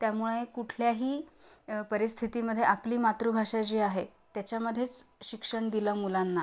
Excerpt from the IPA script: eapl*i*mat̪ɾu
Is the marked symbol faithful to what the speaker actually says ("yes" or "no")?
no